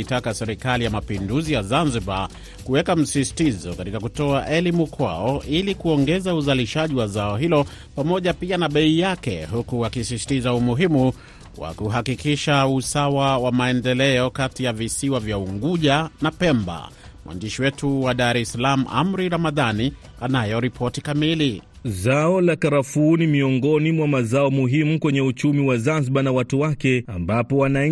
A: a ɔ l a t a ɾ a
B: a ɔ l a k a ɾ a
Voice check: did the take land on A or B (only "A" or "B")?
B